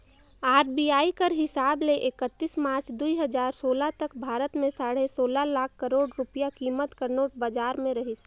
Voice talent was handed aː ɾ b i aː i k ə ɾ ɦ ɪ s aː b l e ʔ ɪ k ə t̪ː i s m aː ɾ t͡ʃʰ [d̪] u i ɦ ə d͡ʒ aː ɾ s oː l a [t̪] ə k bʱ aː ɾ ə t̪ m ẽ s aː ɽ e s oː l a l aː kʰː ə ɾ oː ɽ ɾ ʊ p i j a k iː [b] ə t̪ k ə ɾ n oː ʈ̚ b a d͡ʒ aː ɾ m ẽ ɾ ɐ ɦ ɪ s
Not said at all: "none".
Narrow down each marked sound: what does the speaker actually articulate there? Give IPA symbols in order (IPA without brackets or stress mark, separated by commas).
d̪, t̪, m